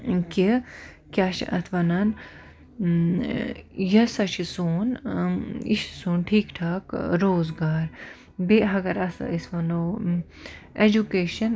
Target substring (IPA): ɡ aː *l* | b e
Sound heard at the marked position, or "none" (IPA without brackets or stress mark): ɾ